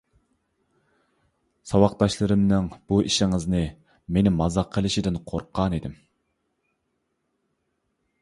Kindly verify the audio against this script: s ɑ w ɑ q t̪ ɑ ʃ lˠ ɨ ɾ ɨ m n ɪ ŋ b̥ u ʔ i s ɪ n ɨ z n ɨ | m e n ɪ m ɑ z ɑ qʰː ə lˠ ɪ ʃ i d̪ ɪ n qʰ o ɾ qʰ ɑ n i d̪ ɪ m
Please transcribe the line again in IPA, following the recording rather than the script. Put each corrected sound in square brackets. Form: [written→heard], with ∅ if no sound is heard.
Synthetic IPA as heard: s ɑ w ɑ q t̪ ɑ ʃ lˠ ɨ ɾ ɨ m n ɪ ŋ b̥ u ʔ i [s→ʃ] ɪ [n→ŋ] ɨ z n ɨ | m e n ɪ m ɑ z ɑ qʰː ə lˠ ɪ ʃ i d̪ ɪ n qʰ o ɾ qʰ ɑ n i d̪ ɪ m

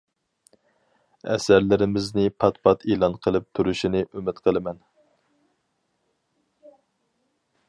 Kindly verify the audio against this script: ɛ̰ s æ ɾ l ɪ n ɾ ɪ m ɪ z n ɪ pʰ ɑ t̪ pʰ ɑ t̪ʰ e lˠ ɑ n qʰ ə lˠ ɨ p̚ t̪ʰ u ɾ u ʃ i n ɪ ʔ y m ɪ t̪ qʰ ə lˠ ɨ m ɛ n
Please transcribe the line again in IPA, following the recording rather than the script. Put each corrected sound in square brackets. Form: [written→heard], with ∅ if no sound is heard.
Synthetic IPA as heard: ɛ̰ s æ ɾ l ɪ [n→∅] ɾ ɪ m ɪ z n ɪ pʰ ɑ t̪ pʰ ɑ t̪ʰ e lˠ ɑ n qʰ ə lˠ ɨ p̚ t̪ʰ u ɾ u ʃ i n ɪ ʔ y m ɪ t̪ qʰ ə lˠ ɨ m ɛ n

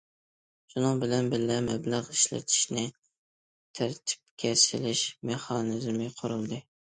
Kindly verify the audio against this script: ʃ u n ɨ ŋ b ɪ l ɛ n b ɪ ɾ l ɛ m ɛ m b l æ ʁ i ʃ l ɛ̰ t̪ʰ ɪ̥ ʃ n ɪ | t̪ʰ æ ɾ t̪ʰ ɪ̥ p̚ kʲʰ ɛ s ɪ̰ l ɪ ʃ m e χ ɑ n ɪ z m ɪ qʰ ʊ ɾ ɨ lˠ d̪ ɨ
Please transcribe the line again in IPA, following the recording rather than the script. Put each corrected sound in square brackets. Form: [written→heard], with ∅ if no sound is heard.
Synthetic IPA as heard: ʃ u n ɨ ŋ b ɪ l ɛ n b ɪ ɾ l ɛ m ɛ [m→∅] b l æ ʁ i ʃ l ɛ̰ t̪ʰ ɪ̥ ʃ n ɪ | t̪ʰ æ ɾ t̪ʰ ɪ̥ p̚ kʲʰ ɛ s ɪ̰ l ɪ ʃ m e χ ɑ n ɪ z m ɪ qʰ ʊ ɾ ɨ lˠ d̪ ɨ

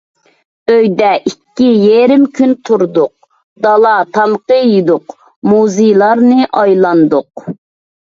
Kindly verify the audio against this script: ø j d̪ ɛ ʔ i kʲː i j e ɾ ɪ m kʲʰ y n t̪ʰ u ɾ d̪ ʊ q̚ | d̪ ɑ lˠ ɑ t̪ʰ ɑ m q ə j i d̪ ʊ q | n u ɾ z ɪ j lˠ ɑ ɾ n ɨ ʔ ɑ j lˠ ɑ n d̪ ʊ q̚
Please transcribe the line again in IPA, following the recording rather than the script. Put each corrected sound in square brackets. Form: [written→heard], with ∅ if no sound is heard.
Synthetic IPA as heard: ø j d̪ ɛ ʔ i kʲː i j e ɾ ɪ m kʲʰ y n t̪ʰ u ɾ d̪ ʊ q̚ | d̪ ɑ lˠ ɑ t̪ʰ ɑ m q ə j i d̪ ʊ q | [n→m] u [ɾ→∅] z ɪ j lˠ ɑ ɾ n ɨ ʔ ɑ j lˠ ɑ n d̪ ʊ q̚

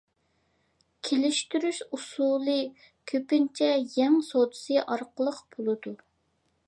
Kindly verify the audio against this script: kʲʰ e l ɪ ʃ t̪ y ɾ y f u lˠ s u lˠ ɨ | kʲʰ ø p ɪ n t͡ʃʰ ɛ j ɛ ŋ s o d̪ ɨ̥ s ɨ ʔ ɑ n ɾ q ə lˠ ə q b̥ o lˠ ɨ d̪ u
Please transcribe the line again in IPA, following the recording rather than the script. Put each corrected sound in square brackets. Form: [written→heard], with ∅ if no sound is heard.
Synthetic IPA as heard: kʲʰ e l ɪ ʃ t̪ y ɾ y [f→ʃ] u [lˠ→∅] s u lˠ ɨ | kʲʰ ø p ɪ n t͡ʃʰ ɛ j ɛ ŋ s o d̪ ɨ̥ s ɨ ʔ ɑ [n→∅] ɾ q ə lˠ ə q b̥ o lˠ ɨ d̪ u

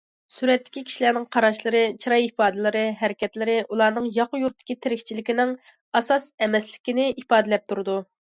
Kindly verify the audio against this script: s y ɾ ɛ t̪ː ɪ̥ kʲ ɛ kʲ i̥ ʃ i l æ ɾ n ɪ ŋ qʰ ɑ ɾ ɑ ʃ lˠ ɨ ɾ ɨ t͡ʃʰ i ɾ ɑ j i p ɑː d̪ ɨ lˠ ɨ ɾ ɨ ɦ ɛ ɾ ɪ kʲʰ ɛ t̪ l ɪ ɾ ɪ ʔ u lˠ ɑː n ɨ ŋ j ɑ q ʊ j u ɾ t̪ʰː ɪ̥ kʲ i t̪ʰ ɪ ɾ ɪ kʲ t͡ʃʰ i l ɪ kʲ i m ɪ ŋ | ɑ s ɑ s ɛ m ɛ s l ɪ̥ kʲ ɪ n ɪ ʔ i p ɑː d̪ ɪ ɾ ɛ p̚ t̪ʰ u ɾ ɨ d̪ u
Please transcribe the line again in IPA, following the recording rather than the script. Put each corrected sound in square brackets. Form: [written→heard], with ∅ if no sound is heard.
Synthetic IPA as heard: s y ɾ ɛ t̪ː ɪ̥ kʲ [ɛ→i] kʲ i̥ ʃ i l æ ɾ n ɪ ŋ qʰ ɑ ɾ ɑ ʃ lˠ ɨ ɾ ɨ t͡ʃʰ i ɾ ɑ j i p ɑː d̪ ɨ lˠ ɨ ɾ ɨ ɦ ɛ ɾ ɪ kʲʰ ɛ t̪ l ɪ ɾ ɪ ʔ u lˠ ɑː n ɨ ŋ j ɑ q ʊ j u ɾ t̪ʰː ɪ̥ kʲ i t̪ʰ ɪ ɾ ɪ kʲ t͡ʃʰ i l ɪ kʲ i [m→n] ɪ ŋ | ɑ s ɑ s ɛ m ɛ s l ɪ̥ kʲ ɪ n ɪ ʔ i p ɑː d̪ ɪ [ɾ→l] ɛ p̚ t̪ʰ u ɾ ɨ d̪ u

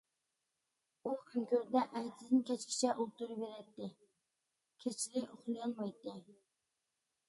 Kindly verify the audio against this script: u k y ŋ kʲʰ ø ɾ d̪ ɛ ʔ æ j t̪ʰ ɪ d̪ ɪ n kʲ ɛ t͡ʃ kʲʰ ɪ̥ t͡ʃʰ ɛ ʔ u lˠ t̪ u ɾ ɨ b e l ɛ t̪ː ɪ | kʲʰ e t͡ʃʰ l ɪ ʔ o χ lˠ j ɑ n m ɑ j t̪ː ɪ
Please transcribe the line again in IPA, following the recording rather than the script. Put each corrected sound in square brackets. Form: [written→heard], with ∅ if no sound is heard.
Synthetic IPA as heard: u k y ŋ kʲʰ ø ɾ d̪ ɛ ʔ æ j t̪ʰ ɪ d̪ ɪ n kʲ ɛ t͡ʃ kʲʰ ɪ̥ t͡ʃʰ ɛ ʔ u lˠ t̪ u ɾ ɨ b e [l→ɾ] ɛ t̪ː ɪ | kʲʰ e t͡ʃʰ l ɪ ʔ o χ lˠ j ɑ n m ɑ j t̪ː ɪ

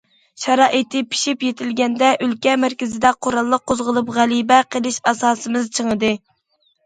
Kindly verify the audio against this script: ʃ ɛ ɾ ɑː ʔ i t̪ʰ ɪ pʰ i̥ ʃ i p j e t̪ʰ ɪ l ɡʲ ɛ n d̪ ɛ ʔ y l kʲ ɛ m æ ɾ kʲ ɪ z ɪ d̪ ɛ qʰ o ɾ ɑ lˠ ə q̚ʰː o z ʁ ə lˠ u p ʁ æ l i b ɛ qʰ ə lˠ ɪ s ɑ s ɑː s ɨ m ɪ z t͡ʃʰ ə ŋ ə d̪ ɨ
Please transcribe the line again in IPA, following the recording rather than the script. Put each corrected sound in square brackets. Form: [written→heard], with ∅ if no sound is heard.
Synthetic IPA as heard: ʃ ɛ ɾ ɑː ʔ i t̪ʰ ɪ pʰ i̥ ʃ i p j e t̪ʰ ɪ l ɡʲ ɛ n d̪ ɛ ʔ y l kʲ ɛ m æ ɾ kʲ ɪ z ɪ d̪ ɛ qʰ o ɾ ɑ [lˠ→lˠː] ə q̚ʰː o z ʁ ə lˠ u p ʁ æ l i b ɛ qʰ ə lˠ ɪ [s→ʃ] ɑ s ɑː s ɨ m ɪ z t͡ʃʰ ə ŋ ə d̪ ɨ

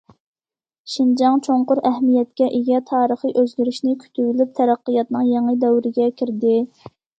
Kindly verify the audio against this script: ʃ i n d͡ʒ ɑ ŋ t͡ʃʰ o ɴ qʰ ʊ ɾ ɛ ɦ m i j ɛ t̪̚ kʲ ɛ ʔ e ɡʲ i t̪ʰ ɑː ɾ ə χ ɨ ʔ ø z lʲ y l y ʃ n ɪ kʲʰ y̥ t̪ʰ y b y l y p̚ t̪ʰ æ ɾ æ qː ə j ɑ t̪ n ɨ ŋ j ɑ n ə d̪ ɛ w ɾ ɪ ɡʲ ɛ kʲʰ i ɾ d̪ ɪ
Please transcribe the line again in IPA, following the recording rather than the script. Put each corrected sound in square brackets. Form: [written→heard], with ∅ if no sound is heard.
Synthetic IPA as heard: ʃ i n d͡ʒ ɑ ŋ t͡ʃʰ o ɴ [qʰ→q] ʊ ɾ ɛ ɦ m i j ɛ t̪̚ kʲ ɛ ʔ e ɡʲ [i→ɛ] t̪ʰ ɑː ɾ ə χ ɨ ʔ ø z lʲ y [l→ɾ] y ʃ n ɪ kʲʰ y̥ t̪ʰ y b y l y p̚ t̪ʰ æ ɾ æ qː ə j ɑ t̪ n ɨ ŋ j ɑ [n→ŋ] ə d̪ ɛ w ɾ ɪ ɡʲ ɛ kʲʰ i ɾ d̪ ɪ

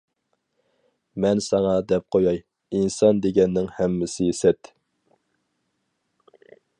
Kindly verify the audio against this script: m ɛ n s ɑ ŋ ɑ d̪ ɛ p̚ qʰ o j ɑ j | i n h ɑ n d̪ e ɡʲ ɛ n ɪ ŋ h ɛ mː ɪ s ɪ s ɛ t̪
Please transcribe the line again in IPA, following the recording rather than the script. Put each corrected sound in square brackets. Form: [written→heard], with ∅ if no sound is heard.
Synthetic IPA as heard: m ɛ n s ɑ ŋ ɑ d̪ ɛ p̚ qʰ o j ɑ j | i n [h→s] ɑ n d̪ e ɡʲ ɛ [n→nː] ɪ ŋ h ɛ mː ɪ s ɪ s ɛ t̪

